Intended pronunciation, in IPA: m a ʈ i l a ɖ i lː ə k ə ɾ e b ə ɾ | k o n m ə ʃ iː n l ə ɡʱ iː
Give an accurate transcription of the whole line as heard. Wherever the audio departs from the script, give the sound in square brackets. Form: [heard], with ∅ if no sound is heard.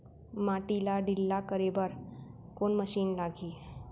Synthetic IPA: m a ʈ i l a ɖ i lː [a] k ə ɾ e b ə ɾ | k o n m ə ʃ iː n l [a] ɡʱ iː